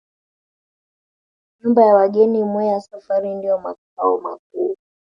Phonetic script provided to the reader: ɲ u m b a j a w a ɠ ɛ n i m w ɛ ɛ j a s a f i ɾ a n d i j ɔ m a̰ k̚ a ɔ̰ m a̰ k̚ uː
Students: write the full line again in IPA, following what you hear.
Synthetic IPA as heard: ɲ u m b a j a w a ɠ ɛ n i m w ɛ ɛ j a s a f a ɾ i n d i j ɔ m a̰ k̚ a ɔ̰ m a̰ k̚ uː